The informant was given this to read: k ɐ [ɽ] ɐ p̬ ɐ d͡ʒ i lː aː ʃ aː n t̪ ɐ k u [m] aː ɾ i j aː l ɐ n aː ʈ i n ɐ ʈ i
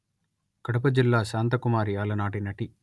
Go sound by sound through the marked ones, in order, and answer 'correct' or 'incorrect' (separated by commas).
correct, correct